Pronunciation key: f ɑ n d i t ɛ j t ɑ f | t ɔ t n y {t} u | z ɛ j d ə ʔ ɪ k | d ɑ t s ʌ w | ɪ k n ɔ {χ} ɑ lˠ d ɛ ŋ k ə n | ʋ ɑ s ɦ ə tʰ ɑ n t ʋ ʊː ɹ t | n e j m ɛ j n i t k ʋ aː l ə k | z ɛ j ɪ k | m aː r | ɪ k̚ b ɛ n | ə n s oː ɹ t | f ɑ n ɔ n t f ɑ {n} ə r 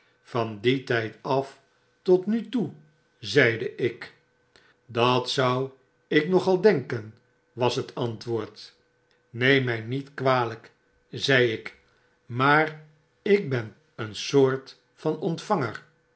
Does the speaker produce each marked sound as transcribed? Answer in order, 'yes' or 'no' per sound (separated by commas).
yes, yes, no